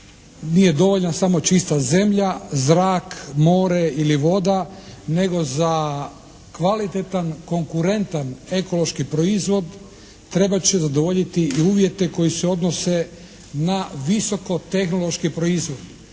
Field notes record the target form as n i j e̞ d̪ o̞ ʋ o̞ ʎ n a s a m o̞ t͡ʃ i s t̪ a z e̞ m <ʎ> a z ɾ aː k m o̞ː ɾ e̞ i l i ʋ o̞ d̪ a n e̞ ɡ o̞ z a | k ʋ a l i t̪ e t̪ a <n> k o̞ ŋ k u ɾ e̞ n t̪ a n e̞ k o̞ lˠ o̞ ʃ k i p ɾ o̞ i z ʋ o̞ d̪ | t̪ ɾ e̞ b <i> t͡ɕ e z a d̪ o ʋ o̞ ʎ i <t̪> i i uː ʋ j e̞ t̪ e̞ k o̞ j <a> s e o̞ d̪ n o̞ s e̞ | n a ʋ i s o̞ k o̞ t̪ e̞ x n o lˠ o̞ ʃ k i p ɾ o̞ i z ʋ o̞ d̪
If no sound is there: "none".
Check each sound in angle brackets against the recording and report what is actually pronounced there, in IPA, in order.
ʎ, n, a, t̪, i

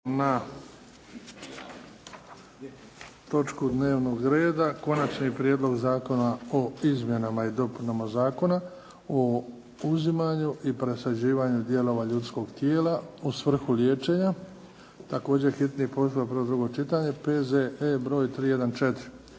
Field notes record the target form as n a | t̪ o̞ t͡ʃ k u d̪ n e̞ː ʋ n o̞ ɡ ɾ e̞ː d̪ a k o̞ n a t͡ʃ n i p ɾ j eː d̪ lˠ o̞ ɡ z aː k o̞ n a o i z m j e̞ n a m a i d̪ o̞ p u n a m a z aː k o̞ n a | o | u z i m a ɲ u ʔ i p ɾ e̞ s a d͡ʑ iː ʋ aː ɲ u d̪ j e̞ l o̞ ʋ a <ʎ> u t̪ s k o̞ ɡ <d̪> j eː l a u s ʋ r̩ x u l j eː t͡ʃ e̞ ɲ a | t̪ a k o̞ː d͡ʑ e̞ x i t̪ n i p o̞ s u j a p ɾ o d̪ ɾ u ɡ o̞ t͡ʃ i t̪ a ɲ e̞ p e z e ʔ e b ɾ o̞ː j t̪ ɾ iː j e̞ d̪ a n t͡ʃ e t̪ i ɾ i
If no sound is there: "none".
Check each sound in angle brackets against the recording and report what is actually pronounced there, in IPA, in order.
ʎ, t̪

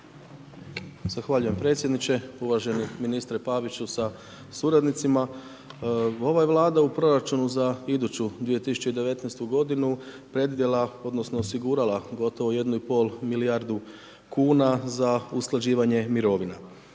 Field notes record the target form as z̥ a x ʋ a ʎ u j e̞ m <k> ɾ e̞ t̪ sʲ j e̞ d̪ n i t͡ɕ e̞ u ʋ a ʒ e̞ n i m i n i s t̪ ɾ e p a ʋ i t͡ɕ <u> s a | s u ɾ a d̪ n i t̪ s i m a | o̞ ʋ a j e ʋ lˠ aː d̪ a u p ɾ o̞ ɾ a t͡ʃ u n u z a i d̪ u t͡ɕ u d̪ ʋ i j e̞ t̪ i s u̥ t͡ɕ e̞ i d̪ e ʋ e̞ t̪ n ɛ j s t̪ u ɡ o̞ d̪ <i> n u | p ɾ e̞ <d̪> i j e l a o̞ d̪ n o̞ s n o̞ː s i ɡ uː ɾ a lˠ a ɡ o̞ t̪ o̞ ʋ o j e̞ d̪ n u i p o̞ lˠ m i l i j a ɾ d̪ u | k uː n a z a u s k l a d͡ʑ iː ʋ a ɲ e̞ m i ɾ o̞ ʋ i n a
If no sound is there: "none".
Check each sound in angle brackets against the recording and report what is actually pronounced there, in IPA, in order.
p, u, i, d̪

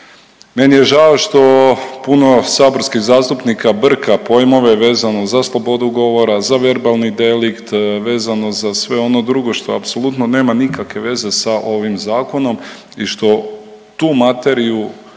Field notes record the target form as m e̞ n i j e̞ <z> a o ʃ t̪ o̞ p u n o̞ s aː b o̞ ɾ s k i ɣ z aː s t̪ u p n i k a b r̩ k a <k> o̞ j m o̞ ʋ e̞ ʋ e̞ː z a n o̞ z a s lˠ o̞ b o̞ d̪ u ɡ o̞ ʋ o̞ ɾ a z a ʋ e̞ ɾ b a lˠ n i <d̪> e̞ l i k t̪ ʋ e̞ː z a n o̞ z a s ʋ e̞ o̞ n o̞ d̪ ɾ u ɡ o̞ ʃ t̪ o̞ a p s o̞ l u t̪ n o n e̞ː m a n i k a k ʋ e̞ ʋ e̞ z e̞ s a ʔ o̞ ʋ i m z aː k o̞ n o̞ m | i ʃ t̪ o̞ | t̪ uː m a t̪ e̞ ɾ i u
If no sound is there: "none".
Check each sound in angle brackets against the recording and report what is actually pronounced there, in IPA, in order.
ʒ, p, d̪

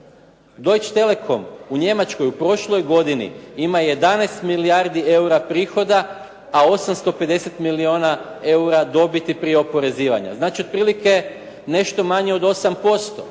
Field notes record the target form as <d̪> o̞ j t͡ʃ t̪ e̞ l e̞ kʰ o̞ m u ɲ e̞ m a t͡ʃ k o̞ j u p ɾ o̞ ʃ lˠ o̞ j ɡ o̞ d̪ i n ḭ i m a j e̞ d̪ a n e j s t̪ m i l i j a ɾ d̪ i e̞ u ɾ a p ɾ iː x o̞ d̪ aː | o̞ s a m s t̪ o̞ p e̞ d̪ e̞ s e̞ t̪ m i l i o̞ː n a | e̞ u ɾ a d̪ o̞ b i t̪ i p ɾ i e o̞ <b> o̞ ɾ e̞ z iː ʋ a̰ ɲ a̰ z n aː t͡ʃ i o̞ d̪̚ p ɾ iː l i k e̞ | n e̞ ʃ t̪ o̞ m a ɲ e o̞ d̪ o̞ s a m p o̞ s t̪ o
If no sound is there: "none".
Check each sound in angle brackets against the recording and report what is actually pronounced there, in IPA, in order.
d̪, p

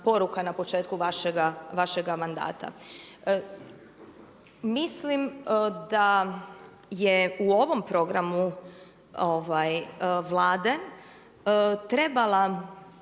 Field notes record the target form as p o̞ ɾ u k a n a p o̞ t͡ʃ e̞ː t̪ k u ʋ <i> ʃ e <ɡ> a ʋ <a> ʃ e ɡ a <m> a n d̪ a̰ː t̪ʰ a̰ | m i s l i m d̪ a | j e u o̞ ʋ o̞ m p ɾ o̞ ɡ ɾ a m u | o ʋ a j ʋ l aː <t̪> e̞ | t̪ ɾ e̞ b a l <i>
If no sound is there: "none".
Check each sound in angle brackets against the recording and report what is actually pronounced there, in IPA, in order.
a, ɡ, a, m, d̪, a

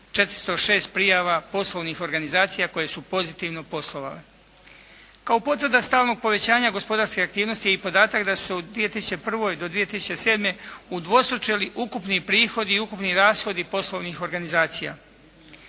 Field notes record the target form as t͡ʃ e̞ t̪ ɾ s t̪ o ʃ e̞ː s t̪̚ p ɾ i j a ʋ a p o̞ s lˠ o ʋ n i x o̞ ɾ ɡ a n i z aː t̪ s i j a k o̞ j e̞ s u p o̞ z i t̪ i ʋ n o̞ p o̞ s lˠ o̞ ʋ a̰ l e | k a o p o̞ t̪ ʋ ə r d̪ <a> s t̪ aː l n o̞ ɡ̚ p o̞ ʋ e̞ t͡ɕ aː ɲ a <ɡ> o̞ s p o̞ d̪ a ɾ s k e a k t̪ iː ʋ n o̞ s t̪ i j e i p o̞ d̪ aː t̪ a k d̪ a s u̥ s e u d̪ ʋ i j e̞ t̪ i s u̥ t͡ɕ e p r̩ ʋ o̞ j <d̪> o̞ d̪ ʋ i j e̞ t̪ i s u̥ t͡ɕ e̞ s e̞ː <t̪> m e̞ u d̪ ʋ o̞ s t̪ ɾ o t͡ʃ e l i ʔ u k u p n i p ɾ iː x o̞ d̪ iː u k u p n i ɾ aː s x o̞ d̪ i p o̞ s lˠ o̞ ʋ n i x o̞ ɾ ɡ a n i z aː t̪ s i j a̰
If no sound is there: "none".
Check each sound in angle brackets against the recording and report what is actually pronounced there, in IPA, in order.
a, ɡ, d̪, d̪

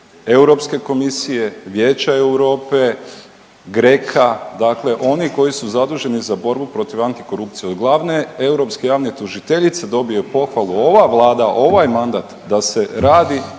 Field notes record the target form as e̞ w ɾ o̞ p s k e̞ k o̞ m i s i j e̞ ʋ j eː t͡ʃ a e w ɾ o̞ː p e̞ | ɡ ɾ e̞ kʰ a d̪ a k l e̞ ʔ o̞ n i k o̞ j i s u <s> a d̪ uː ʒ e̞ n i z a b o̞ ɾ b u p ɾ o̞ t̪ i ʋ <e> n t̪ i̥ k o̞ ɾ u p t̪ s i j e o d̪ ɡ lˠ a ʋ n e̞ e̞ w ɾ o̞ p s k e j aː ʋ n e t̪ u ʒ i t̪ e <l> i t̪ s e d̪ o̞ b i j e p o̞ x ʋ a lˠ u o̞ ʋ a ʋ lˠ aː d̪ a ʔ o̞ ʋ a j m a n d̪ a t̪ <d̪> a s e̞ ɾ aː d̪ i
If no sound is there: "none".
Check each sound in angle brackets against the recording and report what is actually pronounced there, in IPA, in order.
z, a, ʎ, d̪

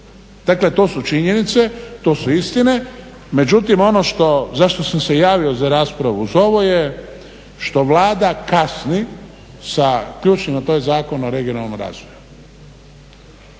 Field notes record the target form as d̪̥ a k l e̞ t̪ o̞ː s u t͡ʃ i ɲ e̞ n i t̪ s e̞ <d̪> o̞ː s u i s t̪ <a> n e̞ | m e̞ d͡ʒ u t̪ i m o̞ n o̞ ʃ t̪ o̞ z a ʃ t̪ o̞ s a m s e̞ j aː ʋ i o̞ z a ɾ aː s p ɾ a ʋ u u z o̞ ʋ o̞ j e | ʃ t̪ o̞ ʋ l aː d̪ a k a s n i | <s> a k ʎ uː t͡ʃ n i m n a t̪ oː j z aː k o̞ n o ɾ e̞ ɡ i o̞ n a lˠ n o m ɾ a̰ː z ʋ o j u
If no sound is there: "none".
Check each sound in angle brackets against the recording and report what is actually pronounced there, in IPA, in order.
t̪, i, s

